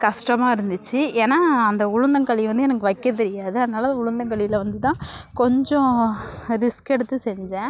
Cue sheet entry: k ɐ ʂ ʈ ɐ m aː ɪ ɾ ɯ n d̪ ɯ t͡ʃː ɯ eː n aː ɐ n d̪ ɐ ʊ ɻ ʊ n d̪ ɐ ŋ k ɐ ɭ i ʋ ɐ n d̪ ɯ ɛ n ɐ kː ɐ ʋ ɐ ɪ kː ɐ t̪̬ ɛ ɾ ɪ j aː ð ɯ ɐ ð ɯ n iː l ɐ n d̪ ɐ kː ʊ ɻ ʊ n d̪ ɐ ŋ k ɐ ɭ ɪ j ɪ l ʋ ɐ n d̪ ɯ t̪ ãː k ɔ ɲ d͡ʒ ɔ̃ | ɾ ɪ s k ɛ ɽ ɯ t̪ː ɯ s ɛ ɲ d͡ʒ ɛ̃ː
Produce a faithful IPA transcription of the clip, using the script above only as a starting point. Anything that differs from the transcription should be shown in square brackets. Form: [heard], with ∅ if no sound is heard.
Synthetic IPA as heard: k ɐ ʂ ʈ ɐ m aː ɪ ɾ ɯ n d̪ ɯ t͡ʃː ɯ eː n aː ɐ n d̪ ɐ ʊ ɻ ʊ n d̪ ɐ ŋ k ɐ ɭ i ʋ ɐ n d̪ ɯ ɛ n ɐ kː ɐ ʋ ɐ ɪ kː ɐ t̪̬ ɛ ɾ ɪ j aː ð ɯ ɐ ð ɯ n [aː] l ɐ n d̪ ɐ [∅] ʊ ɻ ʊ n d̪ ɐ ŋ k ɐ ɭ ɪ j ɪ l ʋ ɐ n d̪ ɯ t̪ ãː k ɔ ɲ d͡ʒ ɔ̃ | ɾ ɪ s k ɛ ɽ ɯ t̪ː ɯ s ɛ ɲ d͡ʒ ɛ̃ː